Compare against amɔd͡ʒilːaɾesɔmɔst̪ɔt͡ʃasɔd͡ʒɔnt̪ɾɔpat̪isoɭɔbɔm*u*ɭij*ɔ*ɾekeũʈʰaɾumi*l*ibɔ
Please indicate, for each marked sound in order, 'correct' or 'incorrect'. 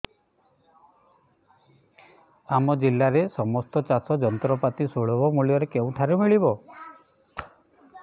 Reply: correct, correct, incorrect

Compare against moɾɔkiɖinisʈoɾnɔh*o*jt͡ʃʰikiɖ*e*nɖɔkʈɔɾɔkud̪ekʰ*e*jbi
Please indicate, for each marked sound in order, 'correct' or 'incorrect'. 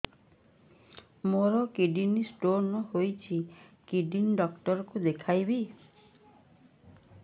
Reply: correct, incorrect, incorrect

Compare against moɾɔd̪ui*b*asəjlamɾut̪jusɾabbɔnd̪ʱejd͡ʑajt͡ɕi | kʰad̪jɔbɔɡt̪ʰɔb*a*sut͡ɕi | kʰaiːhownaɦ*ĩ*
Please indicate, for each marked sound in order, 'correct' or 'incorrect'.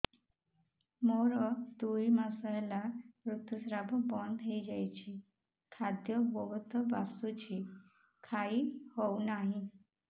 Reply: incorrect, correct, incorrect

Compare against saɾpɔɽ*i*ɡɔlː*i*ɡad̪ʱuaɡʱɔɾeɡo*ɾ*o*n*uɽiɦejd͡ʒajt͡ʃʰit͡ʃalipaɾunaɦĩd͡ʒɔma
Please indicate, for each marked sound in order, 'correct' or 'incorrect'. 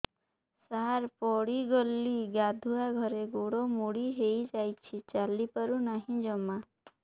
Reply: correct, correct, incorrect, incorrect

